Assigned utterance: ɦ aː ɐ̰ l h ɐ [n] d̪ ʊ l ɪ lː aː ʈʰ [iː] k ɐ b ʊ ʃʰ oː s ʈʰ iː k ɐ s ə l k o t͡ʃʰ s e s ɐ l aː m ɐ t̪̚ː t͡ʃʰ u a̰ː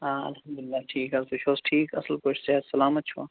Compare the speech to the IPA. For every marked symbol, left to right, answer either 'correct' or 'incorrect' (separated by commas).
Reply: incorrect, correct